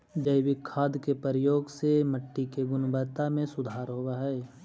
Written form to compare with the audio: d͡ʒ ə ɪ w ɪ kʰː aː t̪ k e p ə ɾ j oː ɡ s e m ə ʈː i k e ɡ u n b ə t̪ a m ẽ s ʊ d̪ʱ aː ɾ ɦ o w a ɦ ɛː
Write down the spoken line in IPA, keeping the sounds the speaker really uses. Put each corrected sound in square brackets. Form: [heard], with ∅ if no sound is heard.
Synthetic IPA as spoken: d͡ʒ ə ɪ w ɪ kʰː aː [d̪] k e p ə ɾ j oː ɡ s e m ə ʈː i k e ɡ [ʊ] n b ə t̪ a m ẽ s ʊ d̪ʱ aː ɾ ɦ o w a ɦ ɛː